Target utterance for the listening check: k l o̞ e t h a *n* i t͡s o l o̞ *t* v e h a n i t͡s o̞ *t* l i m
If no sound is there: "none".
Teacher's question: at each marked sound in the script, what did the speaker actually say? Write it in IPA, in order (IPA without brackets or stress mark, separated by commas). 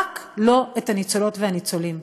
n, t, none